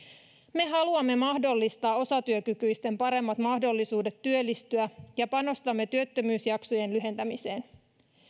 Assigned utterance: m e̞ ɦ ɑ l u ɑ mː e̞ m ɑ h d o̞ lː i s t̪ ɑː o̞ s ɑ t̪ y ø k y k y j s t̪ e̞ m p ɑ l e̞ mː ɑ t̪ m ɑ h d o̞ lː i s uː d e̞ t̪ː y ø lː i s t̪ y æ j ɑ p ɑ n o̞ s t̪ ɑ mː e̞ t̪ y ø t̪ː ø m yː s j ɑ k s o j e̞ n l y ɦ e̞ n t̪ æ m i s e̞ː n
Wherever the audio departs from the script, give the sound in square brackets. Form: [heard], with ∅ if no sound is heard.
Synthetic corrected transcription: m e̞ ɦ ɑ l u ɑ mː e̞ m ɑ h d o̞ lː i s t̪ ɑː o̞ s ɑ t̪ y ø k y k y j s t̪ e̞ m p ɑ [ɾ] e̞ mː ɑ t̪ m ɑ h d o̞ lː i s uː d e̞ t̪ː y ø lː i s t̪ y æ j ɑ p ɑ n o̞ s t̪ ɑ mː e̞ t̪ y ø t̪ː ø m yː s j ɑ k s o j e̞ n l y ɦ e̞ n t̪ æ m i s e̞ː n